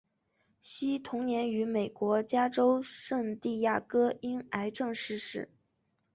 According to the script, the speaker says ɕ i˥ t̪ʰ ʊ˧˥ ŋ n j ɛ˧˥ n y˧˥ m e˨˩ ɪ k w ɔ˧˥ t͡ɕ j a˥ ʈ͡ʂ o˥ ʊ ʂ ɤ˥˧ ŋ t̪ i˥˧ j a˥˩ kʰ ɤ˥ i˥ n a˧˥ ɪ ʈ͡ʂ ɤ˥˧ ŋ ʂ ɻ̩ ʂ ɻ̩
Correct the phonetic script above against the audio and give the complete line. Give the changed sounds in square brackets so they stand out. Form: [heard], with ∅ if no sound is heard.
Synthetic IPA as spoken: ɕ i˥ t̪ʰ ʊ˧˥ ŋ n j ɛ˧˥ n y˧˥ m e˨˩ ɪ k w ɔ˧˥ t͡ɕ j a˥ ʈ͡ʂ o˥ ʊ ʂ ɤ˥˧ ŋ t̪ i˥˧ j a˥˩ [k] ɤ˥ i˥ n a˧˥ ɪ ʈ͡ʂ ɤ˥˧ ŋ ʂ ɻ̩ ʂ ɻ̩